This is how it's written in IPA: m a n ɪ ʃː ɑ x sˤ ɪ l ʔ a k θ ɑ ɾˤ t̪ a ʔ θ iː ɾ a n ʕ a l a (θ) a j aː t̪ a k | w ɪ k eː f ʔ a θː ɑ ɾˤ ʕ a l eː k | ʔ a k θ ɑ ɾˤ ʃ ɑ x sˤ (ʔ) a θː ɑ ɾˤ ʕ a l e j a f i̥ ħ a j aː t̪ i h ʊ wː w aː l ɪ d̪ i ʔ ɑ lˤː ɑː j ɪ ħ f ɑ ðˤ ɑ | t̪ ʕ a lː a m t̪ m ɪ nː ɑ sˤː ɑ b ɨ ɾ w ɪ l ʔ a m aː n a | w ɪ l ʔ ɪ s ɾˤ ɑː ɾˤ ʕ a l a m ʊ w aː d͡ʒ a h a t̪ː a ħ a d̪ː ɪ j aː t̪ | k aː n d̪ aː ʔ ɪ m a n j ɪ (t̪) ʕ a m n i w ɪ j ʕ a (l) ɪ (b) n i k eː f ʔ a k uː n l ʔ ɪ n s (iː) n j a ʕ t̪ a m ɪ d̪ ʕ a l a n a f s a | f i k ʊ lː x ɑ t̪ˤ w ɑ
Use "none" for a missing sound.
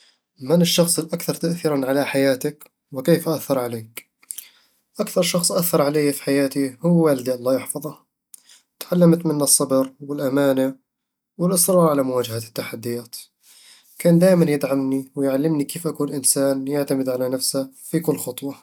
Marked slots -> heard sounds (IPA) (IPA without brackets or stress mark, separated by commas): ħ, ʔ, d̪, lː, m, aː